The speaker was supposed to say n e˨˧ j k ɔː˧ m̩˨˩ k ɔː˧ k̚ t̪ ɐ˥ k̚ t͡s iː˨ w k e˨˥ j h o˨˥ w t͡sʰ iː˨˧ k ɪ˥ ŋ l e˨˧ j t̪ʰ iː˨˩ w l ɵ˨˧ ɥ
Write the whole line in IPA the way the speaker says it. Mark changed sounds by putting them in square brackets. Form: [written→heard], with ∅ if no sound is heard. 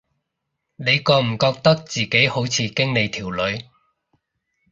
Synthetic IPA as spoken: n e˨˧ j k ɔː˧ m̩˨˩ k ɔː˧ k̚ t̪ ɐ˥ k̚ t͡s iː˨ [w→∅] k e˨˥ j h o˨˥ w t͡sʰ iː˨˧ k ɪ˥ ŋ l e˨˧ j t̪ʰ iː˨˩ w l ɵ˨˧ ɥ